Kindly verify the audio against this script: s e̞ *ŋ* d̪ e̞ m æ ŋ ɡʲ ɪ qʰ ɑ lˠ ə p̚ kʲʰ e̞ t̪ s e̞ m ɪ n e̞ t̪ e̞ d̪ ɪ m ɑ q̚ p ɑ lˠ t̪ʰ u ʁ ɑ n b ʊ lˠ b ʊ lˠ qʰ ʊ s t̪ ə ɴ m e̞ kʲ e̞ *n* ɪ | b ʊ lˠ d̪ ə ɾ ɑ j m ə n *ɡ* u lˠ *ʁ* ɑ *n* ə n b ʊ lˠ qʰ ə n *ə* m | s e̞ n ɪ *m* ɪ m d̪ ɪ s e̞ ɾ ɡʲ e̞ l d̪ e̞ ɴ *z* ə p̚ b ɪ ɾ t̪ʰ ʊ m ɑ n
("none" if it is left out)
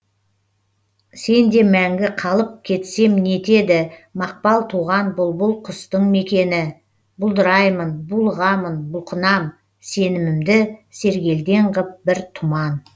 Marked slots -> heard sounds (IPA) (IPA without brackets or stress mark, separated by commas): n, n, b, ʁ, m, ɑ, m, ʁ